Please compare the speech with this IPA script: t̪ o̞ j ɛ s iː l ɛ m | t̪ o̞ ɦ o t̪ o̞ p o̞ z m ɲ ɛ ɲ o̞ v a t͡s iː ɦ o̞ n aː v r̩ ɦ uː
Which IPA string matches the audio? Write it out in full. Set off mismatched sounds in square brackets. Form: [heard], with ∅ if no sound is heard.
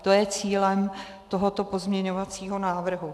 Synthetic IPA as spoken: t̪ o̞ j ɛ [t͡s] iː l ɛ m | t̪ o̞ ɦ o t̪ o̞ p o̞ z m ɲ ɛ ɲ o̞ v a t͡s iː ɦ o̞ n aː v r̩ ɦ [u]